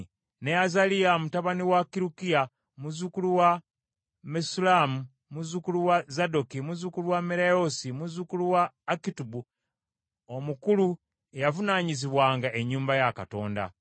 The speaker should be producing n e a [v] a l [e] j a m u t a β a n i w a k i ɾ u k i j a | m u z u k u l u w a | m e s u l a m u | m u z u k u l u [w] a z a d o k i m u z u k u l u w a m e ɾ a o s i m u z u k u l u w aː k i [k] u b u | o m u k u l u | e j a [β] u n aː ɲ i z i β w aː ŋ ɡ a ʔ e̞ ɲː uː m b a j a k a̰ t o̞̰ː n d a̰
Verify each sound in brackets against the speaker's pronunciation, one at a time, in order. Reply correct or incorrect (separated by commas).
incorrect, incorrect, correct, incorrect, incorrect